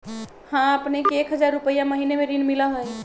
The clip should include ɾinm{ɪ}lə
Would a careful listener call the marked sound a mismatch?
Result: yes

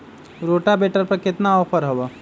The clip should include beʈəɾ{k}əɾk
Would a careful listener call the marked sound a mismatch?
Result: yes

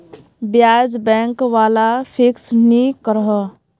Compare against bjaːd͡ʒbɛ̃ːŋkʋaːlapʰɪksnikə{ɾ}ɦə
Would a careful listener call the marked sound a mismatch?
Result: no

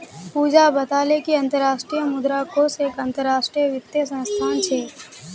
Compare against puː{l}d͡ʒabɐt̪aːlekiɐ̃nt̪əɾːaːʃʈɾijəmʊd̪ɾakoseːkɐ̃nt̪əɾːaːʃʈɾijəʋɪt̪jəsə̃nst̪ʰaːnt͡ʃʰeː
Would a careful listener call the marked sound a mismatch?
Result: yes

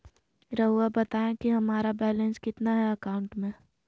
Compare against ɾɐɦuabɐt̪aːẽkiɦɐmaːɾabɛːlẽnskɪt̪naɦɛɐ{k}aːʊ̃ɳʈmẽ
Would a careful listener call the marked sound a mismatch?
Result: no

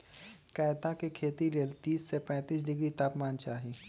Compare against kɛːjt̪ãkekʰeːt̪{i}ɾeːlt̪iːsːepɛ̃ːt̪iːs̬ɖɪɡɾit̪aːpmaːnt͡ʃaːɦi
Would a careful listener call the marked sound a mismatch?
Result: no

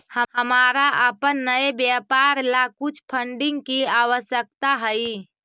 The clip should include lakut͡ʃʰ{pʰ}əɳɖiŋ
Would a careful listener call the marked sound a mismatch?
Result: no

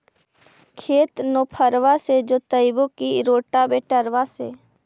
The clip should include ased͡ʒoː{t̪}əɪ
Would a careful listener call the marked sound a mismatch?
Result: no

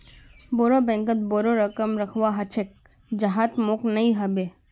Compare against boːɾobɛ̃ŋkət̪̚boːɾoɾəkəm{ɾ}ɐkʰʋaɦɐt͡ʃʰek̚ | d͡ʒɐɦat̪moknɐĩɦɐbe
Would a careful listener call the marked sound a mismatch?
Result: no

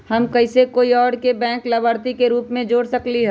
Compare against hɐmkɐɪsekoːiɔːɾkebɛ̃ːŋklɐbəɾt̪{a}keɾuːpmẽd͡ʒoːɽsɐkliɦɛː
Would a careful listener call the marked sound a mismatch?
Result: yes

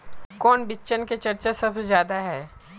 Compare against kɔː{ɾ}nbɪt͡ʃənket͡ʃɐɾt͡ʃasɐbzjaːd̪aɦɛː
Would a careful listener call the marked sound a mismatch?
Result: yes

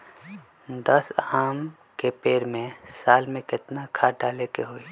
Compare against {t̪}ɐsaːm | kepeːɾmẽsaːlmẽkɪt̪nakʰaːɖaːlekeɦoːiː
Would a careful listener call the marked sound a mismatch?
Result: yes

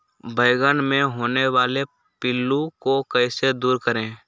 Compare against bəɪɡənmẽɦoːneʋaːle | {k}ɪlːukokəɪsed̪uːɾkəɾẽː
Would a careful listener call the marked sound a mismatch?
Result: yes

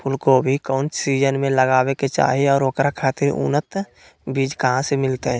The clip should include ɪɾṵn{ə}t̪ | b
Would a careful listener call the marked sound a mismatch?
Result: no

